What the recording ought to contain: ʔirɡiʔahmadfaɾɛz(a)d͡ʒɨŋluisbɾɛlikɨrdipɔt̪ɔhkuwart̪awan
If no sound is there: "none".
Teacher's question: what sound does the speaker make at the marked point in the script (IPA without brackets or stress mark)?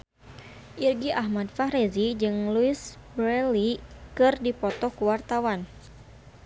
i